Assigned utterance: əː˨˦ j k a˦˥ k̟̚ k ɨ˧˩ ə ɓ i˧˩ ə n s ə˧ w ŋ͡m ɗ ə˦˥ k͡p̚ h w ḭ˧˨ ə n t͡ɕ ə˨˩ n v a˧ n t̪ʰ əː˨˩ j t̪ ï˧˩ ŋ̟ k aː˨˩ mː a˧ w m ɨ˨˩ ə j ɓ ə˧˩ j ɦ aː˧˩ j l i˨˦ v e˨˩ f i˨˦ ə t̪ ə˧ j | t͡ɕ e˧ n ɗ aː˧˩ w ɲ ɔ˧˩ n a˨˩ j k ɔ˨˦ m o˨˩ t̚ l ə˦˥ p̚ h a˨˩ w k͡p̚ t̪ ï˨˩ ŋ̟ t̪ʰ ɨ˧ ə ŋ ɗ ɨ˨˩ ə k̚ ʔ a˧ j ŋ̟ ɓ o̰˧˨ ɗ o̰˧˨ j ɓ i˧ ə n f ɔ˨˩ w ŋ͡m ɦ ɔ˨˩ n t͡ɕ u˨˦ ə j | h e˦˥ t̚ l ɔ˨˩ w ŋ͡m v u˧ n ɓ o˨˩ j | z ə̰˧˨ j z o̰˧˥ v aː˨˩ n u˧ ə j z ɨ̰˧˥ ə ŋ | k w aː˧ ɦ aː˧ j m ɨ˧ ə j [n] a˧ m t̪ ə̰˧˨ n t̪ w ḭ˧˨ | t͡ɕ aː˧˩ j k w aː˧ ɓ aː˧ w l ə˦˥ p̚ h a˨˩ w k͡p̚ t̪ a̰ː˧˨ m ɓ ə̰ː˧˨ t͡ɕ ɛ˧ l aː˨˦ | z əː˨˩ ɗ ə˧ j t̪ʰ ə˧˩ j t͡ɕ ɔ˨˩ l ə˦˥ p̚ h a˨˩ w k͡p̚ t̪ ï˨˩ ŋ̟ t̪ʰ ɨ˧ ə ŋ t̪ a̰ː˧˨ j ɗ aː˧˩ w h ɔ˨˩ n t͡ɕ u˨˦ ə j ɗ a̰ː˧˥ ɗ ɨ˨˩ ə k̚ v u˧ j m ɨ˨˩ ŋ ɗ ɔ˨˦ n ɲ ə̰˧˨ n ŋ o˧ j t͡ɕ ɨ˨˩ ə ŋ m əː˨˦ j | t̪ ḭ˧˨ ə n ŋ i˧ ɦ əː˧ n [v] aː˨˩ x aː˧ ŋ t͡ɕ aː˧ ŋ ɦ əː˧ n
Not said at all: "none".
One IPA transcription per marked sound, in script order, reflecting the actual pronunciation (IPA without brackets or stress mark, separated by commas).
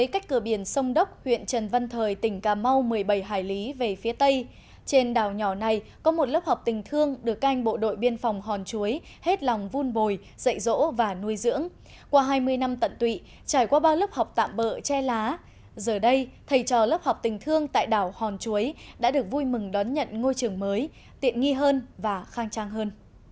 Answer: n, v